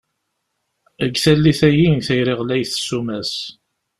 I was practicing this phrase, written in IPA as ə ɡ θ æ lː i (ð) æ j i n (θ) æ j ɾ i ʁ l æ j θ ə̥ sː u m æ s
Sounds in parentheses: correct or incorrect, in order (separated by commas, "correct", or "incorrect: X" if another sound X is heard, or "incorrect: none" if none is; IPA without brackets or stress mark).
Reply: incorrect: θ, correct